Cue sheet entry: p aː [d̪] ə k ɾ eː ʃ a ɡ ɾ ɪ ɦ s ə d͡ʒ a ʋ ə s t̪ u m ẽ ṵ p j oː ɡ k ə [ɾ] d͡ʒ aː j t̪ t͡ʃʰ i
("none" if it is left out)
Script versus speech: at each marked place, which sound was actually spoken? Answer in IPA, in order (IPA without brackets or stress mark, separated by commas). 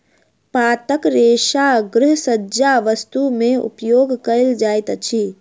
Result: t̪, l